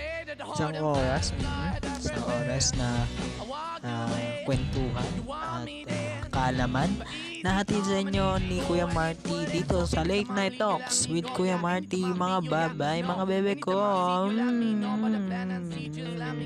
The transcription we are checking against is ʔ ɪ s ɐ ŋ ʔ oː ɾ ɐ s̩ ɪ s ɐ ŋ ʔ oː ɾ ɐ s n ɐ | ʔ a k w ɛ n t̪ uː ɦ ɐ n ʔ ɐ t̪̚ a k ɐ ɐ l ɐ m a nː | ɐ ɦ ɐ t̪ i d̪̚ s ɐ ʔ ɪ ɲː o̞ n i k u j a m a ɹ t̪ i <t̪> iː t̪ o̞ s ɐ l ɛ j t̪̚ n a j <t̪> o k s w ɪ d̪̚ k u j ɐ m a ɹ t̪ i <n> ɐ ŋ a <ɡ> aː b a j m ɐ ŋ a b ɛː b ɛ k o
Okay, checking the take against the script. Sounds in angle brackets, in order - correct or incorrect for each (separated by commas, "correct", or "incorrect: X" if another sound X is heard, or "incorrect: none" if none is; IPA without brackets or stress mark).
incorrect: d̪, correct, incorrect: m, incorrect: b